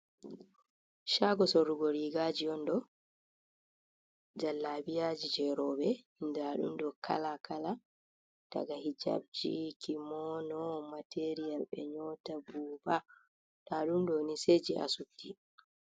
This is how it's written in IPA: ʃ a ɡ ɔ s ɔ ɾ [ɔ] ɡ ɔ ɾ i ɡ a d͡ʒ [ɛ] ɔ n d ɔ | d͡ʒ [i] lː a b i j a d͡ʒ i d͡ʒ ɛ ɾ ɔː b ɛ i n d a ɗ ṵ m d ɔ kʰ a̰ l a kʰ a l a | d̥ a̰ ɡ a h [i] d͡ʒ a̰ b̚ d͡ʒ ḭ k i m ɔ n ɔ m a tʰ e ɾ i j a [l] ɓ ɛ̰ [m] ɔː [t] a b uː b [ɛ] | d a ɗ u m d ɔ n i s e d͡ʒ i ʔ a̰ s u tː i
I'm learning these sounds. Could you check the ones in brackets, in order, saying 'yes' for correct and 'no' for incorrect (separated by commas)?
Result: no, no, no, yes, yes, no, yes, no